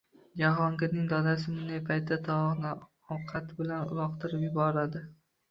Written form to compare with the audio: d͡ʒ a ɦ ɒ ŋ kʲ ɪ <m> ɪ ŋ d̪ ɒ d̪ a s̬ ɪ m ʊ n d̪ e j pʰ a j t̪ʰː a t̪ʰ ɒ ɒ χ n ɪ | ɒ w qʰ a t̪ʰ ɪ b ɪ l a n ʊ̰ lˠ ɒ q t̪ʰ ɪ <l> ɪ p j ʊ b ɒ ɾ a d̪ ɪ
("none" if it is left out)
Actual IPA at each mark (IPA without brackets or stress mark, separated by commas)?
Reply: n, ɾ